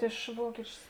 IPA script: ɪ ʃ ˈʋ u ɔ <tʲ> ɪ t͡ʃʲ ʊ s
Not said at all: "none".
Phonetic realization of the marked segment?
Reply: kʲ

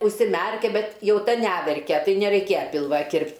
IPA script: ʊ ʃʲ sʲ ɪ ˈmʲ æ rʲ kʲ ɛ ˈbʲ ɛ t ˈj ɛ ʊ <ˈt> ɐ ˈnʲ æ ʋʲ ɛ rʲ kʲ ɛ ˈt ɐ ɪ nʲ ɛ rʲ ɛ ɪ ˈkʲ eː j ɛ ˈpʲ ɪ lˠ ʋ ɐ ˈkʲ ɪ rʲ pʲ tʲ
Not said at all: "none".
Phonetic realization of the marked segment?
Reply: t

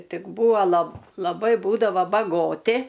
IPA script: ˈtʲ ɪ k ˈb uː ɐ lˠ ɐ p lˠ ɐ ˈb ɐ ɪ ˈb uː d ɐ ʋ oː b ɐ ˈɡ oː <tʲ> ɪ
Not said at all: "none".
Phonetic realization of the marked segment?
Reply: tʲ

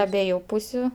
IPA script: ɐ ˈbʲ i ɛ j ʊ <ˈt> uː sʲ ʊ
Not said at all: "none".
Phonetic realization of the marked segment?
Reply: p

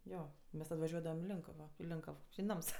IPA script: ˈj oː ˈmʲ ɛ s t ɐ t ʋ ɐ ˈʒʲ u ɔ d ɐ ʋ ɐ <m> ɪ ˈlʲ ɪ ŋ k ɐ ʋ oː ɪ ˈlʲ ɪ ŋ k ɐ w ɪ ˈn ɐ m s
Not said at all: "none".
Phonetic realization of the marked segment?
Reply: m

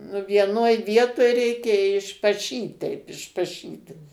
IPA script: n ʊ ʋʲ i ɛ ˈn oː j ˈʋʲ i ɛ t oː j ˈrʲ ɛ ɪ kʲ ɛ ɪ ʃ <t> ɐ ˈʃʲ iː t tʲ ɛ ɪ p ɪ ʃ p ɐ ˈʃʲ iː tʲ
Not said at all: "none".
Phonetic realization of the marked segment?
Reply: p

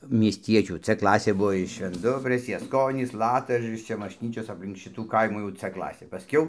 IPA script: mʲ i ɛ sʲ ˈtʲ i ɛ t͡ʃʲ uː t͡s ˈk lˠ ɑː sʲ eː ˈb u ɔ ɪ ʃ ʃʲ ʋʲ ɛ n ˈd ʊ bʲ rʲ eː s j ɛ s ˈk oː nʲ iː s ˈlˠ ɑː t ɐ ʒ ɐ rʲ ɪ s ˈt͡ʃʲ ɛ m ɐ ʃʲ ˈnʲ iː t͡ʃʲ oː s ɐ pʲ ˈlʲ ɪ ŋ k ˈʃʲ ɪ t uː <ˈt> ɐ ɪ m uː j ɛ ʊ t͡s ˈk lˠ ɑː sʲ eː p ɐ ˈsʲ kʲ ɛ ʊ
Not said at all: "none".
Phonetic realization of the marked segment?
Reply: k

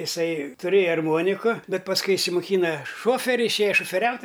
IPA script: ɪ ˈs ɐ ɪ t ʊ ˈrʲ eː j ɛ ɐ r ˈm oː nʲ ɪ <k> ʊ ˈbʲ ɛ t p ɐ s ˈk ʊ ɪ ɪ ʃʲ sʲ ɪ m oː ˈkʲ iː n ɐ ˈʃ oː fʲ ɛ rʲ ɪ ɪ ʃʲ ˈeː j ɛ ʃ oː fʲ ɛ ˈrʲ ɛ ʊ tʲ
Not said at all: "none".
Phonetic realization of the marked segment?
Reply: k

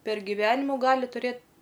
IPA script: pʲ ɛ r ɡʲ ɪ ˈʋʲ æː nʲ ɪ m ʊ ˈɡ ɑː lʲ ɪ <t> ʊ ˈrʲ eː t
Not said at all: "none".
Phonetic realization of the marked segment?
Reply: t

